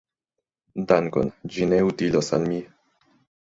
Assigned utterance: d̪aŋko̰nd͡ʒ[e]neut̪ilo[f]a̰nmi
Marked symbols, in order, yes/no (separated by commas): no, no